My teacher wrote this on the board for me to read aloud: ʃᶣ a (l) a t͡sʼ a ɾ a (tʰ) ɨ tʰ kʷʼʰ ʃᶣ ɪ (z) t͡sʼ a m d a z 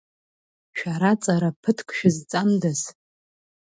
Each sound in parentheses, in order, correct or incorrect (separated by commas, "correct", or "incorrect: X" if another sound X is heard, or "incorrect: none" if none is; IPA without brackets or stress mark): incorrect: ɾ, incorrect: pʰ, correct